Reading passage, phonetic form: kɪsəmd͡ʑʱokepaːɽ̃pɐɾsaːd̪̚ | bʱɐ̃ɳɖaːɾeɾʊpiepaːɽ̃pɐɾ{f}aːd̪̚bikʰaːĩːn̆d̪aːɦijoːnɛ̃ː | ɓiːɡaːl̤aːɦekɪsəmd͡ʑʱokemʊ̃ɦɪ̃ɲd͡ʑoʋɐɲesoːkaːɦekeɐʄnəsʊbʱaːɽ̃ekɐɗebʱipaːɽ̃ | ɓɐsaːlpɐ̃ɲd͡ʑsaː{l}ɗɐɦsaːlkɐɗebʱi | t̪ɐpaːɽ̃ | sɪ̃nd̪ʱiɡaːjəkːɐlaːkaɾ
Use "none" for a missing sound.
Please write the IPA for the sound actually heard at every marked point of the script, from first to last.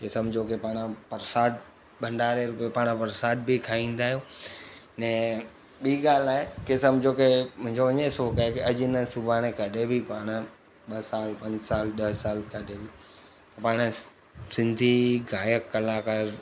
s, l

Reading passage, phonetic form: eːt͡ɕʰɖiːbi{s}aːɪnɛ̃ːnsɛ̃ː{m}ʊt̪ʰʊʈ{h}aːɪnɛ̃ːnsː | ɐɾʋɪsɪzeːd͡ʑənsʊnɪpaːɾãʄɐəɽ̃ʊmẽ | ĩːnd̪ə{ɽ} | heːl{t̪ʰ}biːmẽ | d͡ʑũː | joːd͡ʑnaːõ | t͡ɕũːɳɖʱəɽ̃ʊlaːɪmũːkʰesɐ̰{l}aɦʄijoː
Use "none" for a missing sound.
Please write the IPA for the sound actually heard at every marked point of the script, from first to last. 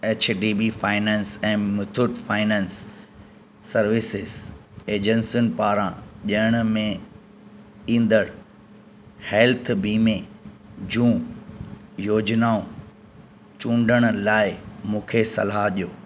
f, m, f, ɽ, t̪ʰ, l

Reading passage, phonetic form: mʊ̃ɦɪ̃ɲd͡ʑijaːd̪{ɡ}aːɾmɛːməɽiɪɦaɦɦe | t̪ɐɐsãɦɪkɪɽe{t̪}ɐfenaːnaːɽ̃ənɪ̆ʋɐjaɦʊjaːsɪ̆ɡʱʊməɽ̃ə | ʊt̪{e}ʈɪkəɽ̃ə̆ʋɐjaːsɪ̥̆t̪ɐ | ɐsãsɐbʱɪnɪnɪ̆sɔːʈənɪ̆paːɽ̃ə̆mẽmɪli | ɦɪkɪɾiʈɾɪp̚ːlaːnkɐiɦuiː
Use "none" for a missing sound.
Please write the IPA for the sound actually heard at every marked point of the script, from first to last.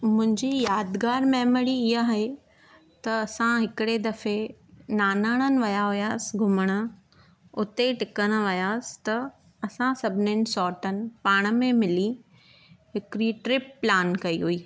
ɡ, d̪, e

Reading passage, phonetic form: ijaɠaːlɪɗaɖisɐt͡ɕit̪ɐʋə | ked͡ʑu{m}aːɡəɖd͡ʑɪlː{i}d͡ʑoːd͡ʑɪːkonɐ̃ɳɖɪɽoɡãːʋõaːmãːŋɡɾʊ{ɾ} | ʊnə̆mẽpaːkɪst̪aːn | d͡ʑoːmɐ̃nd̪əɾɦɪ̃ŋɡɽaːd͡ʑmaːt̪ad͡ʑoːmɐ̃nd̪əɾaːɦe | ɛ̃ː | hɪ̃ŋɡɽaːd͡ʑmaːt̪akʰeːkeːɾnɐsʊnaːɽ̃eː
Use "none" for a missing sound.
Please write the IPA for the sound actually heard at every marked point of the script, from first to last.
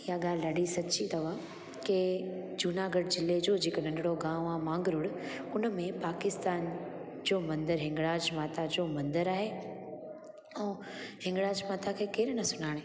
n, e, ɽ

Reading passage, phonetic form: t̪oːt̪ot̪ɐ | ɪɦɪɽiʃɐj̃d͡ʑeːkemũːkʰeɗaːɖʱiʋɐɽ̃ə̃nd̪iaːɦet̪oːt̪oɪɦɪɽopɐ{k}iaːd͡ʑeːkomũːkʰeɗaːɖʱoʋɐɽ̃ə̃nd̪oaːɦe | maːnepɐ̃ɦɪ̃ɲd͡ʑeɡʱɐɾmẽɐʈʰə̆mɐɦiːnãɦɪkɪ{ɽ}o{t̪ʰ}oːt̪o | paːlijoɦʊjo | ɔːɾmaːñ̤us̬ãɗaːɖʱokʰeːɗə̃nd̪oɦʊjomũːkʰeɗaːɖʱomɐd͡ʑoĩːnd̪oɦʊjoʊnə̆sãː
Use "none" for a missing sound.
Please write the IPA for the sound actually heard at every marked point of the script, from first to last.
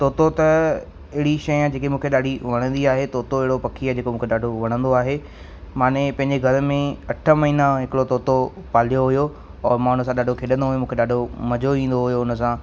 kʰ, ɽ, t̪

